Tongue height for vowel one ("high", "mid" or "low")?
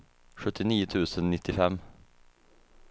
mid